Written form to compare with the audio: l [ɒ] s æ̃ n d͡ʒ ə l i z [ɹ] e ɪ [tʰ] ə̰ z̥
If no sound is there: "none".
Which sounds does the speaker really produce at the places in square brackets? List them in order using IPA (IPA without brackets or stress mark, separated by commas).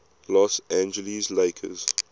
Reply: ɔ, l, kʰ